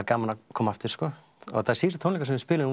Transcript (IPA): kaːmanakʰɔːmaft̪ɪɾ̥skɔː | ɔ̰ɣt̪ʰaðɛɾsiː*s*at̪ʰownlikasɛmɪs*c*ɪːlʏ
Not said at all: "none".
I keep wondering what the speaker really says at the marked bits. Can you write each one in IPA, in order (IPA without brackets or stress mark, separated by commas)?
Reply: s, p